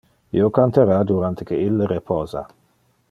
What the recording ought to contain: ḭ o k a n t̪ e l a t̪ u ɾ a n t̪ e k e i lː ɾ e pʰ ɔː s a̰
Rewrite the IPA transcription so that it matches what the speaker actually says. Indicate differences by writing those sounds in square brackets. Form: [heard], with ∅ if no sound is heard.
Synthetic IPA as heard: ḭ o k a n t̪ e [ɾ] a [d̪] u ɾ a n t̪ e k e i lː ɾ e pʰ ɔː [z] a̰